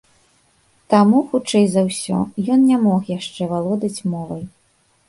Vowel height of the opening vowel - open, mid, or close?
open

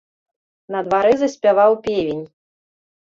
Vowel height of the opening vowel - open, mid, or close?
open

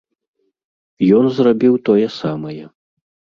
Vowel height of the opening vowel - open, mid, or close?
mid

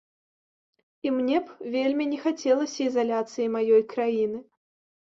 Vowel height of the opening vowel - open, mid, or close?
close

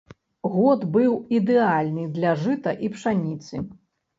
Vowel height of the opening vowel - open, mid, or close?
mid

